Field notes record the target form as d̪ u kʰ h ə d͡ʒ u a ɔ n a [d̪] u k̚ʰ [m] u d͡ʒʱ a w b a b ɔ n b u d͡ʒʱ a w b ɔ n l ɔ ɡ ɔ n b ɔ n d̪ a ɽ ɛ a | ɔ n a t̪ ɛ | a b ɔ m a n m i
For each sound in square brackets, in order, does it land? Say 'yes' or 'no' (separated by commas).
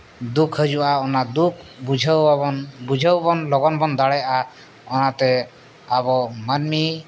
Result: yes, no